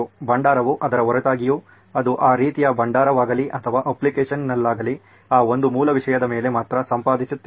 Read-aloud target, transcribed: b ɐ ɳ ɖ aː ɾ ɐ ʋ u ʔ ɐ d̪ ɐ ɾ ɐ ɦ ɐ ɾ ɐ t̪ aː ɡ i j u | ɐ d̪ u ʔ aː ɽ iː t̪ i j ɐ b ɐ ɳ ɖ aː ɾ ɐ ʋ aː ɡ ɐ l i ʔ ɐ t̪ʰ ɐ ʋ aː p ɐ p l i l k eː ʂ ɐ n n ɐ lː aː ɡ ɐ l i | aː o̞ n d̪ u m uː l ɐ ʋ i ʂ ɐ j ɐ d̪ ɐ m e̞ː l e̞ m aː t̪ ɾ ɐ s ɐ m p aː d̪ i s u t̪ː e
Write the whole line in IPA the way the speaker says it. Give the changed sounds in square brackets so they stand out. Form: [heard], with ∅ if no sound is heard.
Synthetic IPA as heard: b ɐ ɳ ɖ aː ɾ ɐ ʋ u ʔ ɐ d̪ ɐ ɾ ɐ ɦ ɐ ɾ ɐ t̪ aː ɡ i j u | ɐ d̪ u ʔ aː [ɾ] iː t̪ i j ɐ b ɐ ɳ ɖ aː ɾ ɐ ʋ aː ɡ ɐ l i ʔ ɐ t̪ʰ ɐ ʋ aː [ʔ] ɐ p l i [∅] k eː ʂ ɐ n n ɐ lː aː ɡ ɐ l i | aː o̞ n d̪ u m uː l ɐ ʋ i ʂ ɐ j ɐ d̪ ɐ m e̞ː l e̞ m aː t̪ ɾ ɐ s ɐ m p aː d̪ i s u t̪ː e